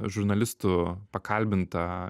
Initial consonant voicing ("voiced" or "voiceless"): voiced